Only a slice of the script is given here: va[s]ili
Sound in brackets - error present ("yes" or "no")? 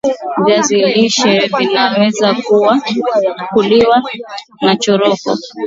yes